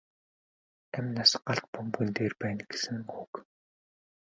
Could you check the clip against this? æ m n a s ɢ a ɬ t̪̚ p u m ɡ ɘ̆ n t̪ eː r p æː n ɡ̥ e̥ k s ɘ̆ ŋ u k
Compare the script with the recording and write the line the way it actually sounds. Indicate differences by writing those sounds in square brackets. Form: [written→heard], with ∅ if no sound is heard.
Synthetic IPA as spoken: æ m n a s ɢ a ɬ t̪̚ p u m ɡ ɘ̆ n t̪ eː r p æː n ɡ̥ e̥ [k→∅] s ɘ̆ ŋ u k